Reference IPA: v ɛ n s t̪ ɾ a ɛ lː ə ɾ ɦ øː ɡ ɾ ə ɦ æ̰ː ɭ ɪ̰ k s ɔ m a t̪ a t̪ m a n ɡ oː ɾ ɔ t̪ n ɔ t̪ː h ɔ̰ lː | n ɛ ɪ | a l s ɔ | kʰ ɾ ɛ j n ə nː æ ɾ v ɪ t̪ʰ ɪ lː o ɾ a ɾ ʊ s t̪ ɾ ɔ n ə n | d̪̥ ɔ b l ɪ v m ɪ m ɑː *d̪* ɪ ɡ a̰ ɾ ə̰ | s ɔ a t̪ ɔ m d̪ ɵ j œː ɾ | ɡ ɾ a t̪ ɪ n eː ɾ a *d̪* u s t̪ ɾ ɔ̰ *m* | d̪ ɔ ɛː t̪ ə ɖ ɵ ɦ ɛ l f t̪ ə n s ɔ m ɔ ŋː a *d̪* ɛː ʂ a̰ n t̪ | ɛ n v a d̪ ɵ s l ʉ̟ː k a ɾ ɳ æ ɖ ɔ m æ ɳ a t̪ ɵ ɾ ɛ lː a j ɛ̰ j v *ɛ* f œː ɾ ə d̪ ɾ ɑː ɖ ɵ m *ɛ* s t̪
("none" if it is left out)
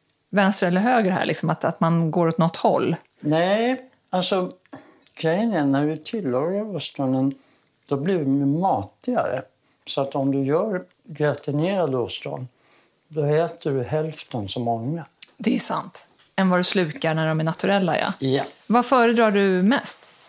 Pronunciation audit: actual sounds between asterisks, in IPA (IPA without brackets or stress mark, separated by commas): t̪, d̪, n, d̪, a, ɛ